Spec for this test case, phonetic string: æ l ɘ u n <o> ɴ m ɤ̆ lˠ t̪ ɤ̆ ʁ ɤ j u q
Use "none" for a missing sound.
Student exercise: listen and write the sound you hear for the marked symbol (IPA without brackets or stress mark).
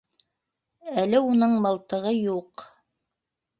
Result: ɤ